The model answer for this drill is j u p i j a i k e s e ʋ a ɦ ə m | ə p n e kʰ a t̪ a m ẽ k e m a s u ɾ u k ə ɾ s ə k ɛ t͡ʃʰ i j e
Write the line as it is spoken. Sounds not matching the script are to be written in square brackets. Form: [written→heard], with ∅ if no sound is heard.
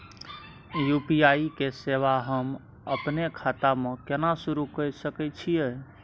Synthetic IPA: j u p i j a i k e s e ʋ a ɦ ə m | ə p n e kʰ a t̪ a m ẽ k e [m→n] a s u ɾ u k ə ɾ s ə k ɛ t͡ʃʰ i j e